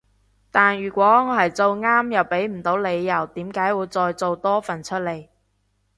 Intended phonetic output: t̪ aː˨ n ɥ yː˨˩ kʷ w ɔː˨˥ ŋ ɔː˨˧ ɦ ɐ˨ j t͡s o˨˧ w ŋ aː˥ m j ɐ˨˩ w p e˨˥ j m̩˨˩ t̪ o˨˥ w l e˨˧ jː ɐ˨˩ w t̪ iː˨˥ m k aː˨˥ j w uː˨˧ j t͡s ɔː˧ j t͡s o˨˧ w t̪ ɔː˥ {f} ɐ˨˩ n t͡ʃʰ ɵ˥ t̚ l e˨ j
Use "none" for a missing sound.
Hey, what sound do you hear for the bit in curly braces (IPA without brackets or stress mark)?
f